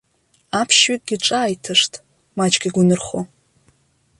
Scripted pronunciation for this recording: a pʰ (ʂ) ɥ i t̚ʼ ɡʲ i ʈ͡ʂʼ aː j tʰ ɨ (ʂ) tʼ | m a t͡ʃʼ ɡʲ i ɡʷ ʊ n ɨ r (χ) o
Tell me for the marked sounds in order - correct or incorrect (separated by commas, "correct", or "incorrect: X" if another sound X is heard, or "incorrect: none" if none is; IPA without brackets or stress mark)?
incorrect: ʃ, correct, correct